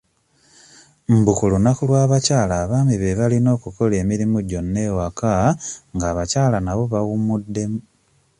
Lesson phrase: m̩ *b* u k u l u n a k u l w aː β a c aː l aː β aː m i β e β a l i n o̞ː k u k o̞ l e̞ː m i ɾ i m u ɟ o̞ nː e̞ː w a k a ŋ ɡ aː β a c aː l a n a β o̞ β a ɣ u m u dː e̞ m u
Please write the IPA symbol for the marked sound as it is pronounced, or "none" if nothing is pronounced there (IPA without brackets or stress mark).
b